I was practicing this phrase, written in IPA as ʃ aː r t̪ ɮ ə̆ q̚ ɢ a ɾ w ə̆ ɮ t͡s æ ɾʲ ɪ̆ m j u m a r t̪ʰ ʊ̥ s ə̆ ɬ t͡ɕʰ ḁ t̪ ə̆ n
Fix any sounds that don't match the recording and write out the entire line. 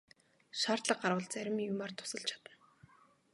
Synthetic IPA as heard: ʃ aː r t̪ ɮ ə̆ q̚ ɢ a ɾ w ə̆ ɮ t͡s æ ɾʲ ɪ̆ m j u m a r t̪ʰ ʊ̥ s ə̆ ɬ t͡ɕʰ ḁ t̪ ə̆ n